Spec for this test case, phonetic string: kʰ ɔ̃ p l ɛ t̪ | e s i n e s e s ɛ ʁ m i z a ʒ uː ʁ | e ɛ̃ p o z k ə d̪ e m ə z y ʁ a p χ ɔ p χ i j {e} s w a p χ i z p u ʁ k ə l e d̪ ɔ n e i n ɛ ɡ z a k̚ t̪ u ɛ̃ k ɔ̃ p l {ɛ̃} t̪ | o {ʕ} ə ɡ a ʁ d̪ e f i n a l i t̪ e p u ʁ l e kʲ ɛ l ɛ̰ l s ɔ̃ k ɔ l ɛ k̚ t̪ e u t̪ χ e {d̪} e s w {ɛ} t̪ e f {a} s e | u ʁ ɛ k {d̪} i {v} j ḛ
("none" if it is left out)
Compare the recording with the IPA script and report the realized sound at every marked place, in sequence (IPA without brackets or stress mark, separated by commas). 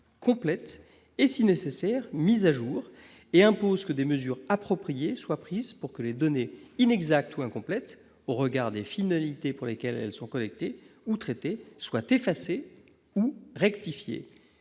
e, ɛ, ʁ, t̪, a, a, t̪, f